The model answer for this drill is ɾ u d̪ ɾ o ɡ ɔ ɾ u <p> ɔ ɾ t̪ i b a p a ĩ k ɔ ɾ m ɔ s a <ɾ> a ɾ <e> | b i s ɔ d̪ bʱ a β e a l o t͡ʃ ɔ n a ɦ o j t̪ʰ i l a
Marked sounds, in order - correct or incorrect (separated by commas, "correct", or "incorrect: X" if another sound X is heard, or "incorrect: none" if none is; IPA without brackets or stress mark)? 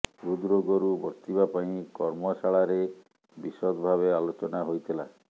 incorrect: b, incorrect: ɭ, correct